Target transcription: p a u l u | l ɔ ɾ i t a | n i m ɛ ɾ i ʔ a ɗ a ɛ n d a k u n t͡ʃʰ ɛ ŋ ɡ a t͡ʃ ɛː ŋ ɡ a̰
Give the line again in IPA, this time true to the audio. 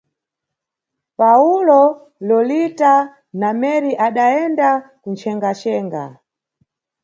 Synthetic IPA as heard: p a u l ɔ | l ɔ l i t a | n a m ɛ ɾ i ʔ a ɗ a ɛ n d a k u n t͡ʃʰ ɛ ŋ ɡ a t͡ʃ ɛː ŋ ɡ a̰